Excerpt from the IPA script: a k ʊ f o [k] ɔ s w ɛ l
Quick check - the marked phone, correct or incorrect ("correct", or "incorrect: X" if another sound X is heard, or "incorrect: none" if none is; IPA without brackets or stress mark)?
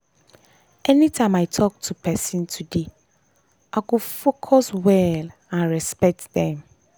incorrect: kʰ